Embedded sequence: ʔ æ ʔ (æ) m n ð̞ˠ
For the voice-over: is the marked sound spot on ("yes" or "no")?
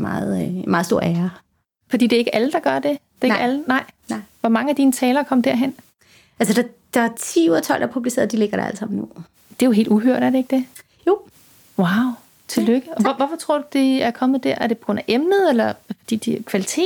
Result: no